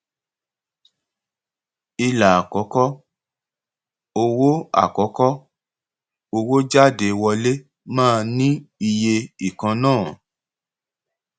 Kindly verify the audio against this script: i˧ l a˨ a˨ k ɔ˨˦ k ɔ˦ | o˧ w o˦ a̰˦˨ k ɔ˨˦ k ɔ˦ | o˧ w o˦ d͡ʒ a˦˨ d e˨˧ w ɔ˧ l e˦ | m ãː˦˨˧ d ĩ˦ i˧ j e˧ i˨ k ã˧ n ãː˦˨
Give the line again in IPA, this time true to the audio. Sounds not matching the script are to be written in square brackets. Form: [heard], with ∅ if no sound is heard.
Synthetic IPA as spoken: i˧ l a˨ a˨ k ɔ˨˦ k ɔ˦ | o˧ w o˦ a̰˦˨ k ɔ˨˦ k ɔ˦ | o˧ w o˦ d͡ʒ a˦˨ d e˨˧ w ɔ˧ l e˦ | m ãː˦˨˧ [n] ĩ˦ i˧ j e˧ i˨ k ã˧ n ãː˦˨